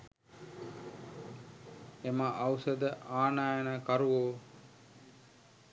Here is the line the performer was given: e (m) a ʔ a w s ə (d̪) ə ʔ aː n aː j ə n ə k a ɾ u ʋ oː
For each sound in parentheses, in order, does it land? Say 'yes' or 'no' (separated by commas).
yes, yes